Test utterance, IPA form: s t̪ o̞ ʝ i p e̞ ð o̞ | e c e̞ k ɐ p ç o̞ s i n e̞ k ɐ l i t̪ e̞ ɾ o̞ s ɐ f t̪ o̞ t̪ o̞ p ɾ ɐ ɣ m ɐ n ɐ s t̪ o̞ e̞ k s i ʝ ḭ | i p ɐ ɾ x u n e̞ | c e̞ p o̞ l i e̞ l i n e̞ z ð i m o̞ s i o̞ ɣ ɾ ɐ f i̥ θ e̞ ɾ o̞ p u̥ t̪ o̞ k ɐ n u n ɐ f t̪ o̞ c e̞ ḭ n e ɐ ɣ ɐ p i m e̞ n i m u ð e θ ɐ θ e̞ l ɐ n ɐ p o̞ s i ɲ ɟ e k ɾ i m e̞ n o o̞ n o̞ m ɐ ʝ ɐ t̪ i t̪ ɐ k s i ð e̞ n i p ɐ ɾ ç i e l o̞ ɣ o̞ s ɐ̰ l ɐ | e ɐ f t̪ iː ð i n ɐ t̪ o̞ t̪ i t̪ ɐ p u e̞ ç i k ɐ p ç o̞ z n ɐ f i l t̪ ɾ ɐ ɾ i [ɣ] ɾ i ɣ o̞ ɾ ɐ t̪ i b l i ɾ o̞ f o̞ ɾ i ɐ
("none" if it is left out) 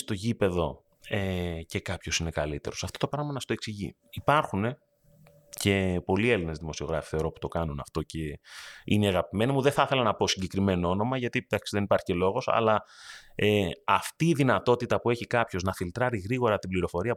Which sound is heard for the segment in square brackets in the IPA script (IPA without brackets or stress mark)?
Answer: ɣ